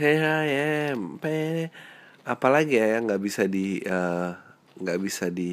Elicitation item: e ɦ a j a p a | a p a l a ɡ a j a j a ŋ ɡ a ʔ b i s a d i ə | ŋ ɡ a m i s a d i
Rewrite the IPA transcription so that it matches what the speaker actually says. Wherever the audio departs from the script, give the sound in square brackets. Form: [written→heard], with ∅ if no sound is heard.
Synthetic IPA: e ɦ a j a p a | a p a l a ɡ [a→i] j a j a ŋ ɡ a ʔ b i s a d i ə | ŋ ɡ a [m→b] i s a d i